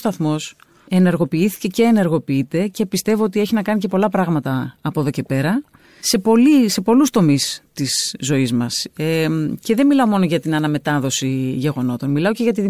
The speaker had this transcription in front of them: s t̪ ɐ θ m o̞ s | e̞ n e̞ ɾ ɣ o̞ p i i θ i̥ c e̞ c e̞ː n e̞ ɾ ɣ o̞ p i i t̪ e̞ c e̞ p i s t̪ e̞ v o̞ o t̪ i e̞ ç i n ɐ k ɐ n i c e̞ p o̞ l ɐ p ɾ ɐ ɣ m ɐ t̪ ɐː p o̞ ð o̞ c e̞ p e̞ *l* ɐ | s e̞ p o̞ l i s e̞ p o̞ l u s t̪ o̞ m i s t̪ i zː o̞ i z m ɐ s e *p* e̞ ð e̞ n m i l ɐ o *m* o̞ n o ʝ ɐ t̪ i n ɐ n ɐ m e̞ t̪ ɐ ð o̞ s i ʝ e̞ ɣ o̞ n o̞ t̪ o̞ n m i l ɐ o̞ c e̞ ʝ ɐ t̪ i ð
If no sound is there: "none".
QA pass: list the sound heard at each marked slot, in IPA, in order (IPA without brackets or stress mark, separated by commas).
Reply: ɾ, c, m